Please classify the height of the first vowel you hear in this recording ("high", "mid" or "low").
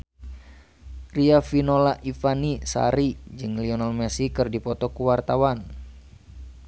high